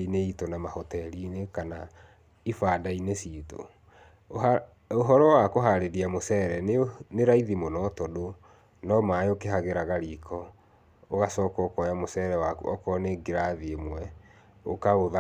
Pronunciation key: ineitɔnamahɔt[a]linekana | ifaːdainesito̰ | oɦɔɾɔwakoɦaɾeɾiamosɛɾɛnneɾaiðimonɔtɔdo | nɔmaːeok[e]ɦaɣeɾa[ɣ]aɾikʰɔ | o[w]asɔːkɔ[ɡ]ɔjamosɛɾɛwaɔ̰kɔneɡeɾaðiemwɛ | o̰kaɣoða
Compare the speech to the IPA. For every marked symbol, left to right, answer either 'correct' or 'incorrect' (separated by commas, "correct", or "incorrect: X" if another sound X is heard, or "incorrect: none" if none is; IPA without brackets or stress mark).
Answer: incorrect: ɛ, correct, correct, incorrect: ɣ, incorrect: k